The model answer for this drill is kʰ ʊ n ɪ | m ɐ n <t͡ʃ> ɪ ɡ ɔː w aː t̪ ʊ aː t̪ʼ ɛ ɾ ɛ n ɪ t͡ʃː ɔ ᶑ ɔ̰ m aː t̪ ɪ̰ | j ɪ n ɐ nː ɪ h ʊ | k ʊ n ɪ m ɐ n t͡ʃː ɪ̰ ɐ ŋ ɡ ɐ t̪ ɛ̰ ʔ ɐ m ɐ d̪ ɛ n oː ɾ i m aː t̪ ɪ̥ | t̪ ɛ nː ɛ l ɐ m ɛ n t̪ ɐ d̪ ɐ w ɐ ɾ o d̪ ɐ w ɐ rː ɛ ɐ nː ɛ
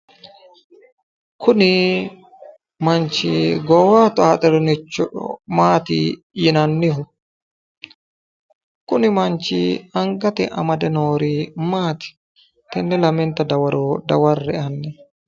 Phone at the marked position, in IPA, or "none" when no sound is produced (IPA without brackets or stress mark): t͡ʃ